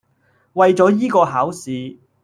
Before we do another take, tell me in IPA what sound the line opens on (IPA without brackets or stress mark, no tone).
w